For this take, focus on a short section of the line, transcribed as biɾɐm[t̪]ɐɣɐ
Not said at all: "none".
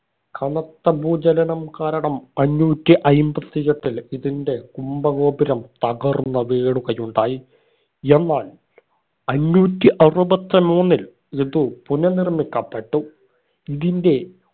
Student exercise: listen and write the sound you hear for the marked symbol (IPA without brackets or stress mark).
t̪